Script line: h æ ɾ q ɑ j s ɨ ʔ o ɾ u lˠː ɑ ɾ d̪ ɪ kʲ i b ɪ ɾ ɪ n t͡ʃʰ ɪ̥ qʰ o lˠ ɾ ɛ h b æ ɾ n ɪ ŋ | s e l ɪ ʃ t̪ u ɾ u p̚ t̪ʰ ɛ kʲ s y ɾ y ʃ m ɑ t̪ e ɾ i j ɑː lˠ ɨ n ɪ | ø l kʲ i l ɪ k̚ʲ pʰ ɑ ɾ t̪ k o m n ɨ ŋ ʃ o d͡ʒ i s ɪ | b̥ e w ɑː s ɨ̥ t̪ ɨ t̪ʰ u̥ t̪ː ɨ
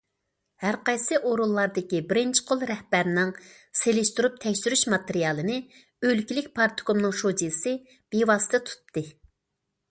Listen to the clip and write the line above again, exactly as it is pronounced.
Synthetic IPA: h æ ɾ q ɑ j s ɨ ʔ o ɾ u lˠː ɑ ɾ d̪ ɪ kʲ i b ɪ ɾ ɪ n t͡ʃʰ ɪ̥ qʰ o lˠ ɾ ɛ h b æ ɾ n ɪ ŋ | s e l ɪ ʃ t̪ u ɾ u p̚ t̪ʰ ɛ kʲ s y ɾ y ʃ m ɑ t̪ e ɾ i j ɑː lˠ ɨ n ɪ | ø l kʲ i l ɪ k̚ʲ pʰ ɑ ɾ t̪ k o m n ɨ ŋ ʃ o d͡ʒ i s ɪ | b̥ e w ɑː s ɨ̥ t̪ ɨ t̪ʰ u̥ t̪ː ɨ